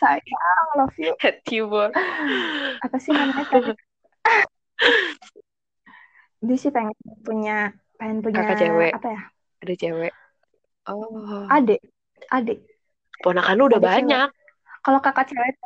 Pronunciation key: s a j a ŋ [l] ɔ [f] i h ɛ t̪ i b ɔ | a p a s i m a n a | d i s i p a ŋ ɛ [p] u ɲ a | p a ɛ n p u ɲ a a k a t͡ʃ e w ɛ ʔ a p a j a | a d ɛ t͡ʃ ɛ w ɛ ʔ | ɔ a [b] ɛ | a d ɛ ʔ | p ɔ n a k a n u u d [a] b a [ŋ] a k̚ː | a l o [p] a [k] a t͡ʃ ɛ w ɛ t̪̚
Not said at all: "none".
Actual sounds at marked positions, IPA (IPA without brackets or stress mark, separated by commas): l, f, p, d, a, ɲ, k, k